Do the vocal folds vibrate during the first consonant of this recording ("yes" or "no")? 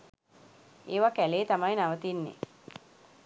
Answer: yes